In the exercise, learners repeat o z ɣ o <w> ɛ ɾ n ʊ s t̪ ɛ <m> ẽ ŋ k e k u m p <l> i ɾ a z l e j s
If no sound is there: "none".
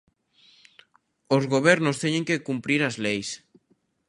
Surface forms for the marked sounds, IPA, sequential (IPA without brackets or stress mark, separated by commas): β, ɲ, ɾ